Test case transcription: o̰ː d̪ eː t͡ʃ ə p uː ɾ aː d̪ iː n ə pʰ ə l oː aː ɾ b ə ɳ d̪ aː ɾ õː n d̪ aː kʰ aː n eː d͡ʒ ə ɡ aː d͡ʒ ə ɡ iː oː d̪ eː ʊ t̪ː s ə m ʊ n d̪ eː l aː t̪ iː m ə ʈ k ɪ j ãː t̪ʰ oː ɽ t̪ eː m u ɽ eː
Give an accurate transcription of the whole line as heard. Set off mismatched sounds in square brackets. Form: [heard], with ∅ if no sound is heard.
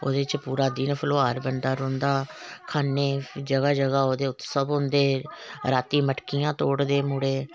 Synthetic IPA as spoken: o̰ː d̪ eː t͡ʃ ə p uː ɾ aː d̪ iː n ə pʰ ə l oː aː ɾ b ə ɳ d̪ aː ɾ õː n d̪ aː kʰ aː n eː d͡ʒ ə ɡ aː d͡ʒ ə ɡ [aː] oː d̪ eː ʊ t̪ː s ə [b] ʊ n d̪ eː [ɾ] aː t̪ iː m ə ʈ k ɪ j ãː [t̪] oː ɽ [d̪] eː m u ɽ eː